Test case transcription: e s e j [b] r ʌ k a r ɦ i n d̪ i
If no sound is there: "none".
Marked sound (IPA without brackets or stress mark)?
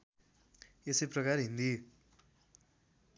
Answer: p